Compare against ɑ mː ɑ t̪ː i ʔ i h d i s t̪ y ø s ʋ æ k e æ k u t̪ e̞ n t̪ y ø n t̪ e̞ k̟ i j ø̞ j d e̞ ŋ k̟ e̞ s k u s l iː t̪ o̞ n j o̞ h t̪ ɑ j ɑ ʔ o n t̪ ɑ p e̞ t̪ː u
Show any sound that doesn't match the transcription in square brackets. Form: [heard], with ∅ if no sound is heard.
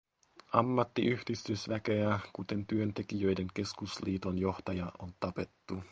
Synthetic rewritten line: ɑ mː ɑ t̪ː i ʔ [y] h d i s t̪ y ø s ʋ æ k e æ k u t̪ e̞ n t̪ y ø n t̪ e̞ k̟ i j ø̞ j d e̞ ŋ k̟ e̞ s k u s l iː t̪ o̞ n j o̞ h t̪ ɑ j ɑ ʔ o n t̪ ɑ p e̞ t̪ː u

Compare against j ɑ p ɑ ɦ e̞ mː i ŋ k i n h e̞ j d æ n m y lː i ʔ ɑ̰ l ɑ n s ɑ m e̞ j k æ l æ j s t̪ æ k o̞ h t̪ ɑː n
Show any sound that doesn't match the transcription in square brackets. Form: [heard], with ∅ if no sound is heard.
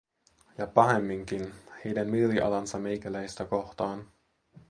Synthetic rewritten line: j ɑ p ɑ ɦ e̞ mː i ŋ k i n h e̞ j d æ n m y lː i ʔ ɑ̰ l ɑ n s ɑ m e̞ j k æ l æ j s t̪ æ k o̞ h t̪ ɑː n

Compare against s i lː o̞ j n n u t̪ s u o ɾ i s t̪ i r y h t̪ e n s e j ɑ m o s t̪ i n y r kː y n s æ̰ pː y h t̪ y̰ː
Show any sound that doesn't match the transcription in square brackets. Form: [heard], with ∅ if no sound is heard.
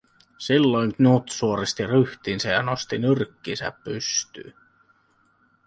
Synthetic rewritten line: s i lː o̞ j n n u t̪ s u o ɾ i s t̪ i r y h t̪ [i] n s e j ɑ [n] o s t̪ i n y r kː [i] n s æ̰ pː y [s] t̪ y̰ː

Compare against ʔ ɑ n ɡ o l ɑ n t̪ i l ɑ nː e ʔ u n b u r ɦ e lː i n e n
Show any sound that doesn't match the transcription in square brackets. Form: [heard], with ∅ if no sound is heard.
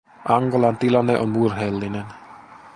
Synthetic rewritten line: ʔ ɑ [ŋ] ɡ o l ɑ n t̪ i l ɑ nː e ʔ [o] n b u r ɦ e lː i n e n

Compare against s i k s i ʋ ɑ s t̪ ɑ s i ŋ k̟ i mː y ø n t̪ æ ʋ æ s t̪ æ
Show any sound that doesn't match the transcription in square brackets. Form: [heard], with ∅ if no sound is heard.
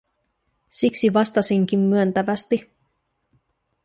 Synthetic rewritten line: s i k s i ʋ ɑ s t̪ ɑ s i ŋ k̟ i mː y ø n t̪ æ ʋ æ s t̪ [i]

